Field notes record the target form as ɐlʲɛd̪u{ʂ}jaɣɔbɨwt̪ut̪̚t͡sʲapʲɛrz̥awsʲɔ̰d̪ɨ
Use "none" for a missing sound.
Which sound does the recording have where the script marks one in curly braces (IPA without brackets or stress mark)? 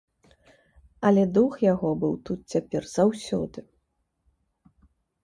x